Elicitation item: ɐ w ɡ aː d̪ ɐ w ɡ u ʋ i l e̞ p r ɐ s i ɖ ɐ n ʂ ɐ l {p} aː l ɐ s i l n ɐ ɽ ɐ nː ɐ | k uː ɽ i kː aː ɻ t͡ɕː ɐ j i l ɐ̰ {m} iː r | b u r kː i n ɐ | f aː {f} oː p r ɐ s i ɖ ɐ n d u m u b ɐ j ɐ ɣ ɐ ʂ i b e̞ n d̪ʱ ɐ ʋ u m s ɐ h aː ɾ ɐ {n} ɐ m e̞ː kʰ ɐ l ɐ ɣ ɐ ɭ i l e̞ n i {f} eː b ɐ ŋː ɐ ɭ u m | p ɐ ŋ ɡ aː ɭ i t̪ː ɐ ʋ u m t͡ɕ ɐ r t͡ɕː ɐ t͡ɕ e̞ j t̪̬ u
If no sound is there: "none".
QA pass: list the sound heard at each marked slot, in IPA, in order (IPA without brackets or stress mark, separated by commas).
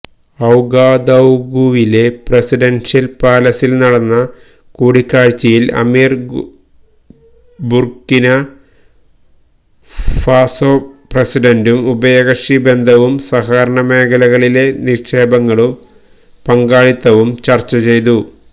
p, m, s, ɳ, ʂ